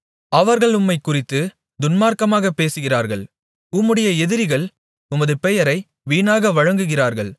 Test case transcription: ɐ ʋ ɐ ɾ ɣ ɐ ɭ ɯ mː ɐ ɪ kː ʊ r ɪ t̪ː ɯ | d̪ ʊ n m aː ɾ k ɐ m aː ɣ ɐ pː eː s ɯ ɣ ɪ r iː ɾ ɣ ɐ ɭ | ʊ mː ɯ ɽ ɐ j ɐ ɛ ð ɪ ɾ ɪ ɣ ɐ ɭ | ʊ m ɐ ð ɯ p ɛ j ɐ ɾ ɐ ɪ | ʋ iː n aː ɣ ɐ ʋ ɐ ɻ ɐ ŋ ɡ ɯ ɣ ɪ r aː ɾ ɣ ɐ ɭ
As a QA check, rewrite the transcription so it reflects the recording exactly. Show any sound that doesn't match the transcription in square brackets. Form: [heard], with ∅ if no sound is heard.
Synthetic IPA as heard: ɐ ʋ ɐ ɾ ɣ ɐ ɭ [ʊ] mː ɐ ɪ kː ʊ r ɪ t̪ː ɯ | d̪ ʊ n m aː ɾ k ɐ m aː ɣ ɐ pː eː s ɯ ɣ ɪ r [aː] ɾ ɣ ɐ ɭ | ʊ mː ɯ ɽ ɐ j ɐ ɛ ð ɪ ɾ ɪ ɣ ɐ ɭ | ʊ m ɐ ð ɯ p ɛ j ɐ ɾ ɐ ɪ | ʋ iː n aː ɣ ɐ ʋ ɐ ɻ ɐ ŋ ɡ ɯ ɣ ɪ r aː ɾ ɣ ɐ ɭ